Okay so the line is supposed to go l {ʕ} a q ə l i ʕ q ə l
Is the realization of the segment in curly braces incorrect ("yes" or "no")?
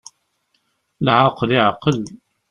no